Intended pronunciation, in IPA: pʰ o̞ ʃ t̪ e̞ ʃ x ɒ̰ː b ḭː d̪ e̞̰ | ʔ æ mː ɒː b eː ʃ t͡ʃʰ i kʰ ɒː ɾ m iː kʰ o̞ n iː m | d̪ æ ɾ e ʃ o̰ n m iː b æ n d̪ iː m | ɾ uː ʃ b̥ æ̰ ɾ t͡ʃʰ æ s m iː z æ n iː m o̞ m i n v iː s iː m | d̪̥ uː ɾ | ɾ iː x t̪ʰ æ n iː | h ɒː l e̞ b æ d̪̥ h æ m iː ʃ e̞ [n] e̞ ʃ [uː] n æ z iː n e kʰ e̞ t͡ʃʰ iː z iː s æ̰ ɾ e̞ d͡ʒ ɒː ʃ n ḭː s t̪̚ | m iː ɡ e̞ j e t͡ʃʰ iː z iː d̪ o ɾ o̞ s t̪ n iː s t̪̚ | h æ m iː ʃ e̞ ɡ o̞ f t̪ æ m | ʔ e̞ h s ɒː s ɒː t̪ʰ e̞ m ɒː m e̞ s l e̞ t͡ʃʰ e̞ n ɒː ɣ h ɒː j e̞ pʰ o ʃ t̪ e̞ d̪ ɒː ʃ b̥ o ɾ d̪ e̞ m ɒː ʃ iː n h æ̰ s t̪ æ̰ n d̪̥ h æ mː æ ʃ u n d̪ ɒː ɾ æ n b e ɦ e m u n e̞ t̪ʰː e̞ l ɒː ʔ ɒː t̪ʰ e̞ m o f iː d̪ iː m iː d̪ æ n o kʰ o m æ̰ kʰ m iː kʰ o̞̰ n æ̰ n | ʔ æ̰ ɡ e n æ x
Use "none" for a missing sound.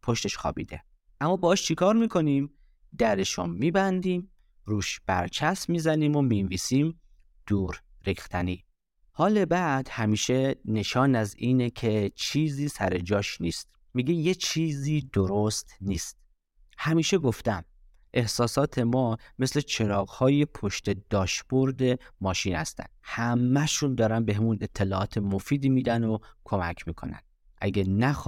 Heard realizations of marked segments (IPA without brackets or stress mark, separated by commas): n, ɒː